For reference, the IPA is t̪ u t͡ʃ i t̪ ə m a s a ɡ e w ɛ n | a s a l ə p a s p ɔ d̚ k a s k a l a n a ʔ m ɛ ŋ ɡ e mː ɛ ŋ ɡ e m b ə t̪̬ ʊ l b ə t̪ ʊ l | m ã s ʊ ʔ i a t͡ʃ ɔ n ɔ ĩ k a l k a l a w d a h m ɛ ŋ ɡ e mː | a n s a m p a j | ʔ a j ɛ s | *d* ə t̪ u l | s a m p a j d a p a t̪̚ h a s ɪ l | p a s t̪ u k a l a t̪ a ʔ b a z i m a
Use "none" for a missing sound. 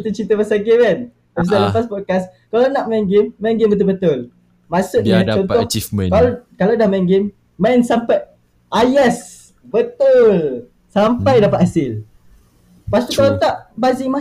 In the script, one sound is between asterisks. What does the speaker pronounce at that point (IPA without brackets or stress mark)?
b